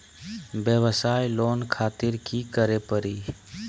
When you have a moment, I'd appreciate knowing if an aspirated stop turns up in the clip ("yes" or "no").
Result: yes